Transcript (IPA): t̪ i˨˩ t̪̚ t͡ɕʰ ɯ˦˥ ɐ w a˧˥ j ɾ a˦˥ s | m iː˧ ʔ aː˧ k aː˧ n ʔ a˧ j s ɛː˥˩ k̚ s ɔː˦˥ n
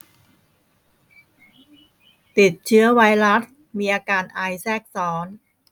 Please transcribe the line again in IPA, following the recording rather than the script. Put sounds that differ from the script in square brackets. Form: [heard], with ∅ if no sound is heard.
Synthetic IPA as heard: t̪ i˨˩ t̪̚ t͡ɕʰ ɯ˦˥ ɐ w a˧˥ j ɾ a˦˥ s | m iː˧ ʔ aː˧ k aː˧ n ʔ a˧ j s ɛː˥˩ k̚ s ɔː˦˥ n